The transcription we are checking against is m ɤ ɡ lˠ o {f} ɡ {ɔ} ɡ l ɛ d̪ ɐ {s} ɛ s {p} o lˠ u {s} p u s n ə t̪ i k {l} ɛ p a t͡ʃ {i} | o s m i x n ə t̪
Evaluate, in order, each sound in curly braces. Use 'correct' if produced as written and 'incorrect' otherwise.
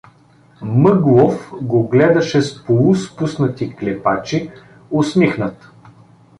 correct, incorrect: o, incorrect: ʃ, correct, correct, correct, correct

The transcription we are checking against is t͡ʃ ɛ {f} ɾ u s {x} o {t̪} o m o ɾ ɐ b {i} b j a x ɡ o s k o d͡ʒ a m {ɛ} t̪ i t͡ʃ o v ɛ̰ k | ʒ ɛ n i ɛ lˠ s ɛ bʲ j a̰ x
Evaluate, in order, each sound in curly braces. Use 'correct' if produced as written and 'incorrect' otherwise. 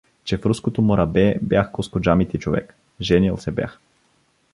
correct, incorrect: k, correct, incorrect: ɛ, incorrect: i

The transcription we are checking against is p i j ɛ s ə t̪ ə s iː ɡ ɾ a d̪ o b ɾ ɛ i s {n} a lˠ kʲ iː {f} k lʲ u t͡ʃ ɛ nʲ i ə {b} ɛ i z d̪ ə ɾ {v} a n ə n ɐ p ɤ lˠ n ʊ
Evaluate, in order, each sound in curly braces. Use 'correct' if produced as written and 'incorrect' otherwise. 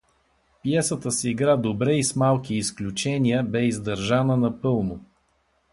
incorrect: m, incorrect: s, correct, incorrect: ʒ

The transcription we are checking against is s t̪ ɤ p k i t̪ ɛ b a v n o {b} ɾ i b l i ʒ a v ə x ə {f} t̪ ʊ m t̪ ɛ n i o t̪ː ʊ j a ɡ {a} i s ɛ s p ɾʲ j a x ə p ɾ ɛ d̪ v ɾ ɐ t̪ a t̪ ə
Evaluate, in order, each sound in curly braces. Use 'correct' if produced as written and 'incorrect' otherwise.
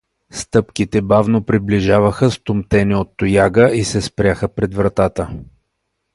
incorrect: p, incorrect: s, incorrect: ə

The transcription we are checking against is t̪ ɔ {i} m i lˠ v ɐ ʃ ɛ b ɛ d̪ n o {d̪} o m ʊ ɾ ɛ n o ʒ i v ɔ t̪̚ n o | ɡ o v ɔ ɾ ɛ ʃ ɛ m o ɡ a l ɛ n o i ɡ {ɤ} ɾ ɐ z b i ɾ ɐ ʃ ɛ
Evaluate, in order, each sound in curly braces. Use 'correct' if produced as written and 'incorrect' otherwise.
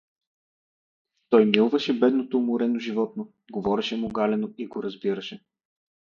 incorrect: j, incorrect: t̪, incorrect: o

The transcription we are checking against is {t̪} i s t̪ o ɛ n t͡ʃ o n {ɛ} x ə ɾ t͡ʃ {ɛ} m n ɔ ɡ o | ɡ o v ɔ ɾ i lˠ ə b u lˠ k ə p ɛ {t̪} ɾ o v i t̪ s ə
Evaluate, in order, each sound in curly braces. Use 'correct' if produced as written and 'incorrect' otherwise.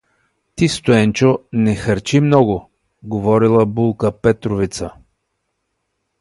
correct, correct, incorrect: i, correct

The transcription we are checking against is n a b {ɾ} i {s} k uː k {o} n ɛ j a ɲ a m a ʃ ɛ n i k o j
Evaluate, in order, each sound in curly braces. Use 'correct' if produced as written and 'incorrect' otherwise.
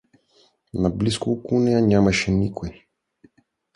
incorrect: l, correct, incorrect: u

